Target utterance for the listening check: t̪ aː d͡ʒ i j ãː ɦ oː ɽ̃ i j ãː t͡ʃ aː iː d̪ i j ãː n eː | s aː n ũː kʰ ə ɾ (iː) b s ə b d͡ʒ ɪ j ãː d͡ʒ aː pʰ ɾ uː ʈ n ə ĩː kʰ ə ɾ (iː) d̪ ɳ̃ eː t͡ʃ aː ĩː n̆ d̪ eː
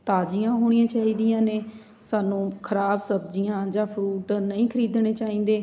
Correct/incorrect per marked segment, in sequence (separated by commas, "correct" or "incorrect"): incorrect, correct